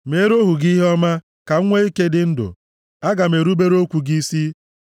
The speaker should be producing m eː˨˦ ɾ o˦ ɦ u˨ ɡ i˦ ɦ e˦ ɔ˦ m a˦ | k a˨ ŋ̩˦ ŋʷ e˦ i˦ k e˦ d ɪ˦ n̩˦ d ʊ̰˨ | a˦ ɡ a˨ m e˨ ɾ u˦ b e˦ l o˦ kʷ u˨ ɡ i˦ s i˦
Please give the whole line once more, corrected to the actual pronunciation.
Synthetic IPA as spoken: m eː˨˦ ɾ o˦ ɦ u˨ ɡ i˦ ɦ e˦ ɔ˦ m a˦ | k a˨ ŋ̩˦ ŋʷ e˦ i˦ k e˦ d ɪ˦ n̩˦ d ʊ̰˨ | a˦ ɡ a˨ m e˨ ɾ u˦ b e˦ ɾ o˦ kʷ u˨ ɡ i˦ s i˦